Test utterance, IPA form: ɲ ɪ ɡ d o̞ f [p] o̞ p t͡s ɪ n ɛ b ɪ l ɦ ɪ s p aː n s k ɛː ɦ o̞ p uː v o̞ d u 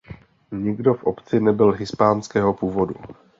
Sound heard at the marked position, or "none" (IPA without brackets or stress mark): ʔ